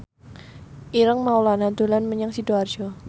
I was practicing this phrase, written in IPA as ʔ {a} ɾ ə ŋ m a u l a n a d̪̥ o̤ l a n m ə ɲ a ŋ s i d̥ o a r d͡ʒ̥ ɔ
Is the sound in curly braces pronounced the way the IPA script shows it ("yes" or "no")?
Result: no